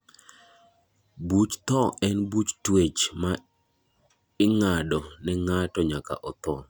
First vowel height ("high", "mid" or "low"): high